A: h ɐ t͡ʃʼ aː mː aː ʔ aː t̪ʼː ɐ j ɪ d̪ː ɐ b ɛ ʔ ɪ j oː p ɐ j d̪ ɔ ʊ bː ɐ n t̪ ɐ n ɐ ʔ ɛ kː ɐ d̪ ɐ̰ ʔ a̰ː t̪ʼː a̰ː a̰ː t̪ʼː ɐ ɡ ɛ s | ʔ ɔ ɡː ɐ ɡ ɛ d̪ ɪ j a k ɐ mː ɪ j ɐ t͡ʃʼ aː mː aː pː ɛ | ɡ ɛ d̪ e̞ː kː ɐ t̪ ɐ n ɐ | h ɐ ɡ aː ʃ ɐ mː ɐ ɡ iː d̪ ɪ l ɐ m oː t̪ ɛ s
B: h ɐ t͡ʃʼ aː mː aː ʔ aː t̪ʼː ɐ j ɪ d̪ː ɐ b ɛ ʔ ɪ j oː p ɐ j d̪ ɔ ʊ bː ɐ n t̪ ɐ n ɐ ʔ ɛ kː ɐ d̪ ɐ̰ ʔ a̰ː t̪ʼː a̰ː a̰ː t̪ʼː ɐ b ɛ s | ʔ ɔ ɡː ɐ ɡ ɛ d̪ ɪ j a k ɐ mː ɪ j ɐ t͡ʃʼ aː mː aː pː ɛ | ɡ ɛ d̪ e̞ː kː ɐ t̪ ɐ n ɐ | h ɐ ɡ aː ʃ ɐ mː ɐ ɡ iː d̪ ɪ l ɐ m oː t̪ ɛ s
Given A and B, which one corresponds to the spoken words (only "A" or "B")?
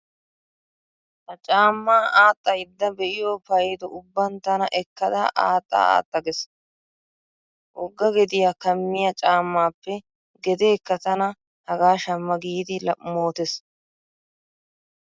A